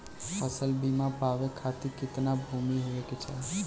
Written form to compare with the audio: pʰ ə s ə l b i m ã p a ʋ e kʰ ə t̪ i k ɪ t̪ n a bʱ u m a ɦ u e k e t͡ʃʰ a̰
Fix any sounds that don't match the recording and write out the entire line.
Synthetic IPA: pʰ ə s ə l b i m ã p a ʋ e kʰ a t̪ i k ɪ t̪ n a bʱ u m i ɦ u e k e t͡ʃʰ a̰